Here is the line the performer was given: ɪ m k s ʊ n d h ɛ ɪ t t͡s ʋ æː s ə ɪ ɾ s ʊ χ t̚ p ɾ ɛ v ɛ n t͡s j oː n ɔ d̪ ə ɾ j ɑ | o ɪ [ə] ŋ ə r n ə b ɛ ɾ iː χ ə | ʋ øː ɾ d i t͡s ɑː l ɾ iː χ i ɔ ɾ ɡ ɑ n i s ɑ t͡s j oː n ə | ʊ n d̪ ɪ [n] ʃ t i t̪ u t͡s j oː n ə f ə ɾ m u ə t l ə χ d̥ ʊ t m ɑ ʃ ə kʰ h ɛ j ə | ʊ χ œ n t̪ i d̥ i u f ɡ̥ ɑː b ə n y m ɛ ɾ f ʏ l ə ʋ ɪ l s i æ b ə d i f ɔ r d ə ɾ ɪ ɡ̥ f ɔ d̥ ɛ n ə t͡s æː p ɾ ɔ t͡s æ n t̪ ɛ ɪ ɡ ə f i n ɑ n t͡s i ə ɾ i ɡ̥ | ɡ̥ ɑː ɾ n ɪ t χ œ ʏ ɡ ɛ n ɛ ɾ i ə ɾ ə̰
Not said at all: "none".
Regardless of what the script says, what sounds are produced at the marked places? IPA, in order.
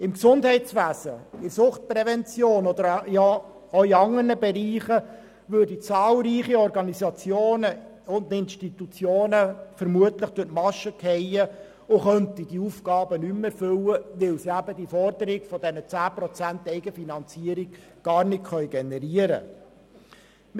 ɑ, n

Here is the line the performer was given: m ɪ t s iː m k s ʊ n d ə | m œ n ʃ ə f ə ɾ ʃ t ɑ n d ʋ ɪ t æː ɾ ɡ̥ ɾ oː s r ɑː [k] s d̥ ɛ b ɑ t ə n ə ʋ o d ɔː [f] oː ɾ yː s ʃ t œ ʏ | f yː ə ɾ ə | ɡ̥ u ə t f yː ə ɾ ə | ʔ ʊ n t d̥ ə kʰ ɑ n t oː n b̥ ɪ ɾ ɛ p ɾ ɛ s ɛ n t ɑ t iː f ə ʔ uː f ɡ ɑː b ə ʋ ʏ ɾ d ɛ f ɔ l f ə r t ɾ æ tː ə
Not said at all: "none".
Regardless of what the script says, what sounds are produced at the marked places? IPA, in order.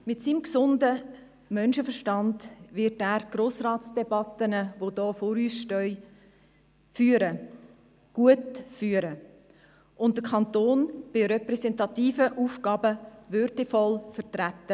t, f

